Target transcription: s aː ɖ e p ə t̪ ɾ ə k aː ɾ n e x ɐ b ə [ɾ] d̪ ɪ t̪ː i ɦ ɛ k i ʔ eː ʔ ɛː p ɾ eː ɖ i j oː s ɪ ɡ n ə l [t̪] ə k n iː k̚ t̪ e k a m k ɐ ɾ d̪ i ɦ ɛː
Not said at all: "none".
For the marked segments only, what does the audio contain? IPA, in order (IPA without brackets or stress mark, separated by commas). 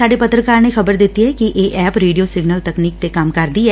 ɾ, t̪